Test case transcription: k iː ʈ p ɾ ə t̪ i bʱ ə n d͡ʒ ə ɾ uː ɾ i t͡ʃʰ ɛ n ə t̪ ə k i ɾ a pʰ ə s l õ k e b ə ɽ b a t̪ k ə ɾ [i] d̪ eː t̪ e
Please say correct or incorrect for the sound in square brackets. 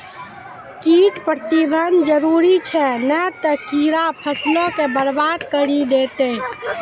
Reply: correct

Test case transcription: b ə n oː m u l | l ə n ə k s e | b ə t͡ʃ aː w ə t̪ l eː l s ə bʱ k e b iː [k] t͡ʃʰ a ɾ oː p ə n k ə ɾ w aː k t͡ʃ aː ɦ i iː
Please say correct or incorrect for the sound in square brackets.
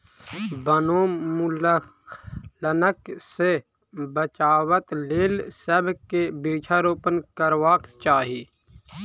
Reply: incorrect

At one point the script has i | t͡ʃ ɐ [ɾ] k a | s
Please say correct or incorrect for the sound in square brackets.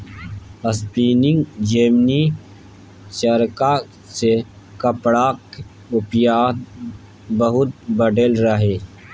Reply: correct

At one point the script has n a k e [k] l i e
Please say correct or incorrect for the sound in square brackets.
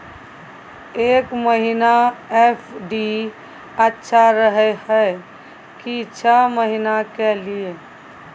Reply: incorrect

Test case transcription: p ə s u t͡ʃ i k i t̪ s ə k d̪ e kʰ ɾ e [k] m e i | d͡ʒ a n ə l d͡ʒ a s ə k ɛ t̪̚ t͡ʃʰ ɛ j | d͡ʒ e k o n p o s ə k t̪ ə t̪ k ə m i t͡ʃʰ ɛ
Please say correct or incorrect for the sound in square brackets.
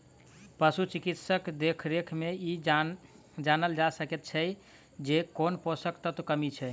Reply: incorrect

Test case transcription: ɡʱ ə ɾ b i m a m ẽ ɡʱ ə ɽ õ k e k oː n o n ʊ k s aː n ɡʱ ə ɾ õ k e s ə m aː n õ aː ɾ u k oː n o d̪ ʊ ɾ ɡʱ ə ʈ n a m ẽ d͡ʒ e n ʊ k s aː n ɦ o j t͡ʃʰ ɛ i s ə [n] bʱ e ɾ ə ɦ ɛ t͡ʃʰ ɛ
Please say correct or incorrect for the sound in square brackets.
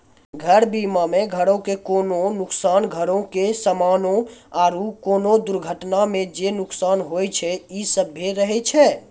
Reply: incorrect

